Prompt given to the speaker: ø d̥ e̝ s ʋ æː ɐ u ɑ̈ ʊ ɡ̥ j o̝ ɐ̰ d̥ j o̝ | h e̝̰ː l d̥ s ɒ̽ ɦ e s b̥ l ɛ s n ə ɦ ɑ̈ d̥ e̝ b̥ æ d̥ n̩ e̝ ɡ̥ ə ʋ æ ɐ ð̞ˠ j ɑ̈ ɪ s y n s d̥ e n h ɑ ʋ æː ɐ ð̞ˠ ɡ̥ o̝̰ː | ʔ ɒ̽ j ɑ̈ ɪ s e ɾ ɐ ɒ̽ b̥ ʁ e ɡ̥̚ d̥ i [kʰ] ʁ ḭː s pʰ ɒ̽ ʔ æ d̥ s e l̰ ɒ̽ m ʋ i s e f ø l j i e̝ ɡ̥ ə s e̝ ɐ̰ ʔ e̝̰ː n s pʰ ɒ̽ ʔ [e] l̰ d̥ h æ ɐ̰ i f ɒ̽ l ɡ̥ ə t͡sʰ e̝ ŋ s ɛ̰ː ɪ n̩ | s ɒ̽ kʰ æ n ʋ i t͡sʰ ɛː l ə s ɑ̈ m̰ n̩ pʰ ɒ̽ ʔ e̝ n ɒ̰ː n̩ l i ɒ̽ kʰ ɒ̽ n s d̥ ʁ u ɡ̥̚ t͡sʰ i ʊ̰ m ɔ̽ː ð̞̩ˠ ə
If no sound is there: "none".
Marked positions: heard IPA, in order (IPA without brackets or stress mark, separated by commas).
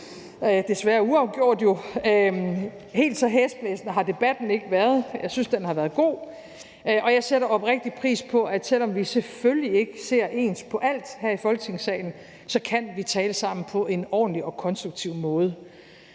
pʰ, æ